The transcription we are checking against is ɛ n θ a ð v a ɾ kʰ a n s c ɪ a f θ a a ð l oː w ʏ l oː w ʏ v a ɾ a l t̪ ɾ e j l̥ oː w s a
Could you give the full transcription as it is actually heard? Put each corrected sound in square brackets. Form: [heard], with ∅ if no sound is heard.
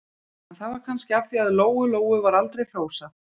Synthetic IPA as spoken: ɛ n θ a ð v a ɾ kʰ a n s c ɪ a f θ [i] a ð l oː w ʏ l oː w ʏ v a ɾ a l t̪ ɾ e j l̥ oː w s a

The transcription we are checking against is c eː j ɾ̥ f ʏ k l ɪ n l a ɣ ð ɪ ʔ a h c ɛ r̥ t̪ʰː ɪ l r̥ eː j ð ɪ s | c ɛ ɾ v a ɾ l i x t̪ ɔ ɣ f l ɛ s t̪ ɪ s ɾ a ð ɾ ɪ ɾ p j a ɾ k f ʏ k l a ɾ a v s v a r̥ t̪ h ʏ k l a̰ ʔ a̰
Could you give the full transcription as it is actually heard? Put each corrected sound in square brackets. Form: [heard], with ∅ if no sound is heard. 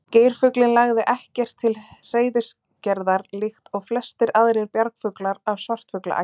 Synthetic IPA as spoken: c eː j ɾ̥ f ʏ k l ɪ n l a ɣ ð ɪ ʔ [ɛ] h c ɛ r̥ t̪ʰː ɪ l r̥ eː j ð ɪ s | c ɛ ɾ [ð] a ɾ l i x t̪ ɔ ɣ f l ɛ s t̪ ɪ [∅] ɾ a ð ɾ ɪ ɾ p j a ɾ k f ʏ k l a ɾ a v s v a r̥ t̪ [f] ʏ k l a̰ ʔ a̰

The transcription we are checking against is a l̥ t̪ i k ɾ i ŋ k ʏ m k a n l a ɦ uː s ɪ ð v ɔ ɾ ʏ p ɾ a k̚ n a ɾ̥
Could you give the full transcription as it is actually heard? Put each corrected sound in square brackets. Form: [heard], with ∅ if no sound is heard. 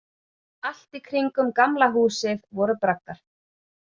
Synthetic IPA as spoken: a l̥ t̪ i [kʰ] ɾ i ŋ k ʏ m k a [m] l a ɦ uː s ɪ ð v ɔ ɾ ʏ p ɾ a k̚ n a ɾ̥

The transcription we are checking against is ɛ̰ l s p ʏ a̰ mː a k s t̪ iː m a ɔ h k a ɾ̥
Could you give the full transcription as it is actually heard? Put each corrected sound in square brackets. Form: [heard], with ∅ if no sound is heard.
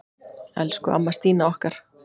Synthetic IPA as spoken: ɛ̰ l s [k] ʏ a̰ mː a [∅] s t̪ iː [n] a ɔ h k a ɾ̥

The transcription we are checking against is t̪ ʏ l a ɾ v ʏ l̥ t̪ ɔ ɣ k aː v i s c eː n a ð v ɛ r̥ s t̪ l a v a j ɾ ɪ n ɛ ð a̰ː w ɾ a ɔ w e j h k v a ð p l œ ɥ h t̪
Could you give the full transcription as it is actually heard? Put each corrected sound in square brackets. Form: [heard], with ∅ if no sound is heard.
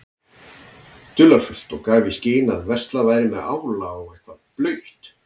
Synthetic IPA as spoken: t̪ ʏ l a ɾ [f] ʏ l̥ t̪ ɔ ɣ k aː v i s c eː n a ð v ɛ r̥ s t̪ l a v a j ɾ ɪ [m] ɛ ð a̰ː w [l] a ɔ [ɣ] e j h k v a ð p l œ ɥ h t̪

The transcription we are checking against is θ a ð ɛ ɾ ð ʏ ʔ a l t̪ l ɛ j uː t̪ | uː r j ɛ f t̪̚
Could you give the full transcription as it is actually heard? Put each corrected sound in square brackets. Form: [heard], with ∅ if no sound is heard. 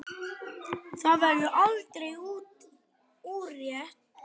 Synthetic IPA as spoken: θ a [v] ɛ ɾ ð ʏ ʔ a l t̪ [ɾ] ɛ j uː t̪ | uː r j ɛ [h] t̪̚

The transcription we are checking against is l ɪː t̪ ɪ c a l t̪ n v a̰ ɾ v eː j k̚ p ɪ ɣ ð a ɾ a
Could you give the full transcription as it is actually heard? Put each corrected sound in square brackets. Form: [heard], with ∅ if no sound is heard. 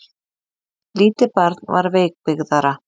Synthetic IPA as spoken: l [iː] t̪ ɪ [p] a [ɾ] t̪ n v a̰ ɾ v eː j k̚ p ɪ ɣ ð a ɾ a

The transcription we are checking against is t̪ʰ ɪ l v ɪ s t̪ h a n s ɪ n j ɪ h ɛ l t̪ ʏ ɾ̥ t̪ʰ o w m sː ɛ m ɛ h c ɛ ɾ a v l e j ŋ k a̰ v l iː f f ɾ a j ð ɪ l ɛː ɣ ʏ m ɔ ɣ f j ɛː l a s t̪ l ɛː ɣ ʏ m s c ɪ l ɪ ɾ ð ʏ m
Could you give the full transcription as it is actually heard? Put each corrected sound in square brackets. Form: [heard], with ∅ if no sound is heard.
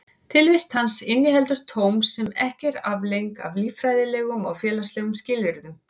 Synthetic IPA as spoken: t̪ʰ ɪ l v ɪ s t̪ h a n s ɪ n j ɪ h ɛ l t̪ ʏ ɾ̥ t̪ʰ o w m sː ɛ m ɛ h c ɛ ɾ a v l e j ŋ k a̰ v l iː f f ɾ a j ð ɪ l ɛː ɣ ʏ m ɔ ɣ f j ɛː l a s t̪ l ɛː ɣ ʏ m s c ɪ l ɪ ɾ ð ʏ m

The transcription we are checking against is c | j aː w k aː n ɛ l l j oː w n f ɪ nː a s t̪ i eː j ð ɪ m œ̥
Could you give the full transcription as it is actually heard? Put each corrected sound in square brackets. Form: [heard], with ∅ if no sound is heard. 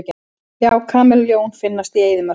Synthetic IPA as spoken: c | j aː w [kʰ] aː [m] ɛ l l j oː w n f ɪ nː a s t̪ i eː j ð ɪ m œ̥

